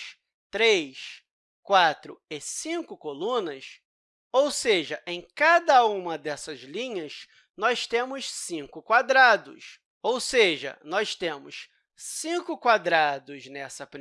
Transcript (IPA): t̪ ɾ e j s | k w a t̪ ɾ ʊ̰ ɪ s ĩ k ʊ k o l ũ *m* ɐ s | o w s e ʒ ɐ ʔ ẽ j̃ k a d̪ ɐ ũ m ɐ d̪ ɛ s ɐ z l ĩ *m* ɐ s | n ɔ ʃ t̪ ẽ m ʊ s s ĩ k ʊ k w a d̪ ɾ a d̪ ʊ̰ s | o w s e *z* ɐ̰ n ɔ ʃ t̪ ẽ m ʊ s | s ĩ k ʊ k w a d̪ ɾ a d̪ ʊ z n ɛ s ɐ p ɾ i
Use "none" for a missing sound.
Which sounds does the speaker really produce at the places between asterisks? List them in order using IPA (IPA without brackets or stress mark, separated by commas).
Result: n, ɲ, ʒ